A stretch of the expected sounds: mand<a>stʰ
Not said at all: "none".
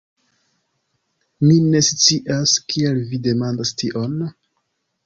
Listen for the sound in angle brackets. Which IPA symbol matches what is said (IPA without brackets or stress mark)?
a